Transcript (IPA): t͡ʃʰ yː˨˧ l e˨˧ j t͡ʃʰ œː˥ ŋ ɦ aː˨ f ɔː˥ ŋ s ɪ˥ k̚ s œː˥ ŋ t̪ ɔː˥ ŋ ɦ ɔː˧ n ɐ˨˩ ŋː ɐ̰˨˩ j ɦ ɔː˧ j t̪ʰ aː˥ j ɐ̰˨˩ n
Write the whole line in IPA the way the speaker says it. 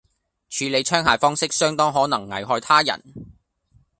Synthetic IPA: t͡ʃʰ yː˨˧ l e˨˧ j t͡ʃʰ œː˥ ŋ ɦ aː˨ f ɔː˥ ŋ s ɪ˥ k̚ s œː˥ ŋ t̪ ɔː˥ ŋ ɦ ɔː˨˥ n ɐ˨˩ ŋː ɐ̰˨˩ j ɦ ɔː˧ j t̪ʰ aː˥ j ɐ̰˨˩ n